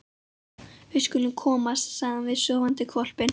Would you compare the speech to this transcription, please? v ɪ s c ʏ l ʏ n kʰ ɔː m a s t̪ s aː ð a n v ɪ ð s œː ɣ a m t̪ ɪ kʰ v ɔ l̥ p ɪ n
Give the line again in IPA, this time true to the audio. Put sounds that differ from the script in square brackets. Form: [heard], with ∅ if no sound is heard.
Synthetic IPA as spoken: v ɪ s [k] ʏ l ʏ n kʰ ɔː m a s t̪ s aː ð a n v ɪ ð s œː [v] a [n] t̪ ɪ kʰ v ɔ l̥ p ɪ n